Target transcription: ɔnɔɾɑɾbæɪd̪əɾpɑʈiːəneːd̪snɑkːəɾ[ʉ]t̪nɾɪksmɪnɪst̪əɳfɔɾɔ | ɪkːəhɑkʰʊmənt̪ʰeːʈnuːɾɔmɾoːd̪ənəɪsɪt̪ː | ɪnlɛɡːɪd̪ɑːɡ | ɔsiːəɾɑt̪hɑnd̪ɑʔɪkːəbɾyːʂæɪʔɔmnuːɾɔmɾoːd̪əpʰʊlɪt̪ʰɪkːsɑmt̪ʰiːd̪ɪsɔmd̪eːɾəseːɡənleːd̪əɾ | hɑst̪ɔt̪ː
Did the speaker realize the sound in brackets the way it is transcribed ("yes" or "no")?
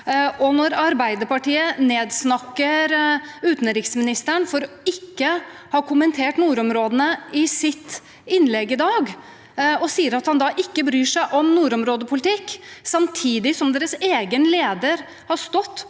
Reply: no